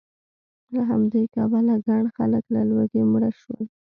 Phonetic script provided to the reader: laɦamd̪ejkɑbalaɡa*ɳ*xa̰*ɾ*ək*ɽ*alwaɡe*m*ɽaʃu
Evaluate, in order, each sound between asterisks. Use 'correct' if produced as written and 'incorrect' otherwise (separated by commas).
correct, incorrect, incorrect, correct